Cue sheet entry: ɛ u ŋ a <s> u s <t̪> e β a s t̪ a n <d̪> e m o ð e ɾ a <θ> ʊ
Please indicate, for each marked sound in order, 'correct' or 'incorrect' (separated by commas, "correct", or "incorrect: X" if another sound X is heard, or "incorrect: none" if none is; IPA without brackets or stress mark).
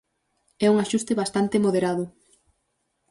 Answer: incorrect: ʃ, correct, incorrect: t̪, incorrect: ð